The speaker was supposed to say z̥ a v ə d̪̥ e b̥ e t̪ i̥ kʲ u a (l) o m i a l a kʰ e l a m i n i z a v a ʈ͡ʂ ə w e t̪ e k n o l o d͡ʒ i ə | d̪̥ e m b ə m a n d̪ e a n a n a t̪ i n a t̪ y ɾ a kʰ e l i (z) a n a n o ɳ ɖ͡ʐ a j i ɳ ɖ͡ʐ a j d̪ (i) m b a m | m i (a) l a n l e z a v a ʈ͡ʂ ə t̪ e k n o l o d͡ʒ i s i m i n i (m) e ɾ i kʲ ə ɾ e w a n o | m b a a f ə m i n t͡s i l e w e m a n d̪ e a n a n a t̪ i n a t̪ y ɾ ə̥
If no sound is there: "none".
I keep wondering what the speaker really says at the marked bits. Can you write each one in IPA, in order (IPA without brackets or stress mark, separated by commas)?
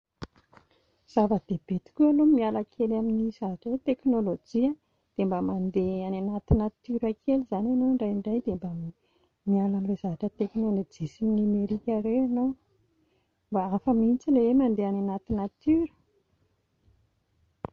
l, z, e, a, m